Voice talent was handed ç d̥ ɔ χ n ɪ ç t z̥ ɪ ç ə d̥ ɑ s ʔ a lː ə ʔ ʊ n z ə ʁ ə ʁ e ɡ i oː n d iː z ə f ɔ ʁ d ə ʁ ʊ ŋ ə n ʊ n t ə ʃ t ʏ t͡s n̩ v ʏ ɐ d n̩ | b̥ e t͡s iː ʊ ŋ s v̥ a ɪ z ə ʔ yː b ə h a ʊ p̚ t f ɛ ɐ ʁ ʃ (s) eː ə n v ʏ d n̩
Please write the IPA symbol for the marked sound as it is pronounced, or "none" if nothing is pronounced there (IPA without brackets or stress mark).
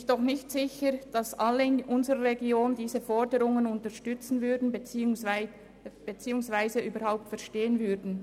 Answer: t